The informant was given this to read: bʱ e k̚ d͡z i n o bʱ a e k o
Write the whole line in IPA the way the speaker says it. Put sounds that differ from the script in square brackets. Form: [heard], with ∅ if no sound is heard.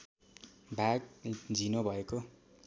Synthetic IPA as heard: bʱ [a] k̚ d͡z i n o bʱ [ʌ] e k o